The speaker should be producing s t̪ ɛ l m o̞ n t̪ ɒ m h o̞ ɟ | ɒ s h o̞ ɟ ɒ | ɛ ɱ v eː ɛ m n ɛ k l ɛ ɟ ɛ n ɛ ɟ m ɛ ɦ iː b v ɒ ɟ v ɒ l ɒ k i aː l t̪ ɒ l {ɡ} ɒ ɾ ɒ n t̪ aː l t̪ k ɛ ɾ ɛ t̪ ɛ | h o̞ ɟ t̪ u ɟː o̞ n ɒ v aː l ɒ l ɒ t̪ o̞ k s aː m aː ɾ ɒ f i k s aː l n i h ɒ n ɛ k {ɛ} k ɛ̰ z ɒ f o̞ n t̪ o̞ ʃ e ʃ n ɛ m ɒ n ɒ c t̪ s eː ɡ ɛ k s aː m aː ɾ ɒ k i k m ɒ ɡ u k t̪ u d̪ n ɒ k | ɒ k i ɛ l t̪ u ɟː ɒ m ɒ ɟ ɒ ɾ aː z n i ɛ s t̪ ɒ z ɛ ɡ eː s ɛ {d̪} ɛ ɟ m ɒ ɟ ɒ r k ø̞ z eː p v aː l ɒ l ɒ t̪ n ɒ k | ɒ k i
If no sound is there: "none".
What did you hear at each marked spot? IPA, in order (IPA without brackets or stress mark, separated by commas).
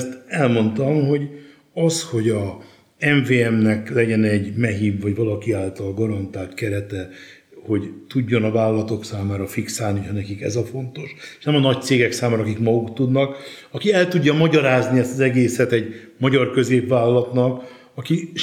ɡ, i, t̪